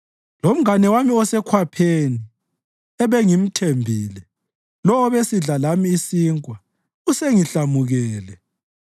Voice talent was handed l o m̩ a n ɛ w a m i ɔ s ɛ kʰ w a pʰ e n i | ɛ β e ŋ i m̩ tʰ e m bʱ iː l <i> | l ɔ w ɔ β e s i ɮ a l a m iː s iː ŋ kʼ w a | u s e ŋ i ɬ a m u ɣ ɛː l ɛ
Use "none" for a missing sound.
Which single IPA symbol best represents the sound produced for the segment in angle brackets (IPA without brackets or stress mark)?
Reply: ɛ